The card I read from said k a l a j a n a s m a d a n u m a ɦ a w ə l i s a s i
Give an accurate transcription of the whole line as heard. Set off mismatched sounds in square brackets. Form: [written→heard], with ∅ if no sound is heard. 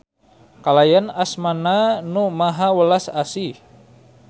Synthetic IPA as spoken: k a l a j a n a s m a [d→n] a n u m a ɦ a w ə l [i→a] s a s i

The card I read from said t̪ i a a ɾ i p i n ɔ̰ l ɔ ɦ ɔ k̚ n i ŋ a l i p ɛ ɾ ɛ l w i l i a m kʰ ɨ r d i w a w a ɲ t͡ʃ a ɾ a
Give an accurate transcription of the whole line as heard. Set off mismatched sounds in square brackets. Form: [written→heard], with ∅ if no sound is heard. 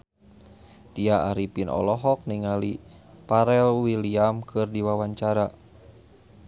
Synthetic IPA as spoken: t̪ i a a ɾ i p i n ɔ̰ l ɔ ɦ ɔ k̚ n i ŋ a l i p [ɛ→a] ɾ ɛ l w i l i a m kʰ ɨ r d i w a w a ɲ t͡ʃ a ɾ a

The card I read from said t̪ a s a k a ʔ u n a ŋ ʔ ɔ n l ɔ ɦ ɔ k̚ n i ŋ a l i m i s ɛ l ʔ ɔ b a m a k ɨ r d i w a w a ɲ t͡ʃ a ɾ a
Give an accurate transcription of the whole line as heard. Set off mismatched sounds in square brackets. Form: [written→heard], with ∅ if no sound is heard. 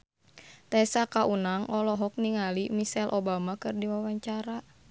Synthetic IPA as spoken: t̪ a s a k a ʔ u n a ŋ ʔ ɔ [n→∅] l ɔ ɦ ɔ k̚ n i ŋ a l i m i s ɛ l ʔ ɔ b a m a k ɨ r d i w a w a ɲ t͡ʃ a ɾ a

